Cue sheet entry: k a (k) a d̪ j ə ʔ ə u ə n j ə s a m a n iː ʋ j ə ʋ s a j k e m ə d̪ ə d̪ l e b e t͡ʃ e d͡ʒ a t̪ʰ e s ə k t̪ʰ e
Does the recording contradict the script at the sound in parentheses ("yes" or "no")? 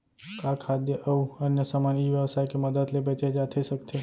yes